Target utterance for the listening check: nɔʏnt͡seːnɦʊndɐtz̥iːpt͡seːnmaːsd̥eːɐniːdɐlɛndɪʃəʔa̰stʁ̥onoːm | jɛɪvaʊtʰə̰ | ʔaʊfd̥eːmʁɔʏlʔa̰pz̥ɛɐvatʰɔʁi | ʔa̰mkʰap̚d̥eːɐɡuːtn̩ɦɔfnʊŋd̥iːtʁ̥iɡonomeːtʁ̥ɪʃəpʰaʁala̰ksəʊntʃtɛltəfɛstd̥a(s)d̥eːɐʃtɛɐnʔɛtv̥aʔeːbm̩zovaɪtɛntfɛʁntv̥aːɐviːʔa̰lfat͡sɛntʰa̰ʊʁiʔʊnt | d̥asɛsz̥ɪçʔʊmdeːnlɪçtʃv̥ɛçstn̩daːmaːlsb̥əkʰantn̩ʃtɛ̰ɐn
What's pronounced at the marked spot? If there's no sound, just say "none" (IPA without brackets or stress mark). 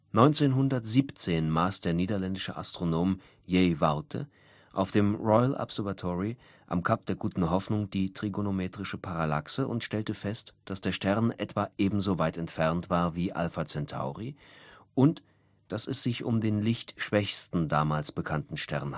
s